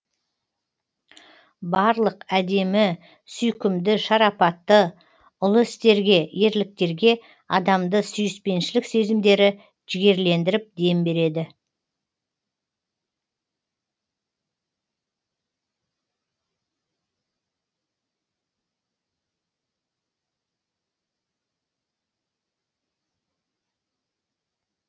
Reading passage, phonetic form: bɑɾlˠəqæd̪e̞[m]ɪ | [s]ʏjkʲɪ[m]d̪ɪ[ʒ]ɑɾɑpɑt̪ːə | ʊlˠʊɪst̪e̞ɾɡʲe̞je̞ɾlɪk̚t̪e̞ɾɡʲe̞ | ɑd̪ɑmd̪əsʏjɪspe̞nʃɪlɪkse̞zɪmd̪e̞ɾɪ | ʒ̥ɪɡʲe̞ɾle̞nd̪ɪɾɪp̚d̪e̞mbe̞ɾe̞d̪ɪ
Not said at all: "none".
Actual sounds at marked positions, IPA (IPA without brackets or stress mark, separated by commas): m, s, m, ʃ